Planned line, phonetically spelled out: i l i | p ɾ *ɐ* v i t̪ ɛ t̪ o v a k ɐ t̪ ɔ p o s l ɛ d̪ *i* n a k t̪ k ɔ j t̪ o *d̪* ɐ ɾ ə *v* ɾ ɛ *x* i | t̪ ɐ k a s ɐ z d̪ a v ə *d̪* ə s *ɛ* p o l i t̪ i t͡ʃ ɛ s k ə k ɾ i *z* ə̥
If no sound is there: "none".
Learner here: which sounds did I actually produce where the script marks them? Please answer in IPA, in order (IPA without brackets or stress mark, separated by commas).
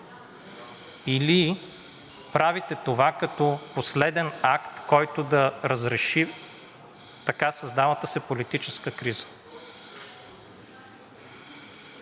a, ɛ, d̪, z, ʃ, t̪, ɛ, z